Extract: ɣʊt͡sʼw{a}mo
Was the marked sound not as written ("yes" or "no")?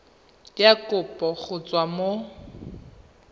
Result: no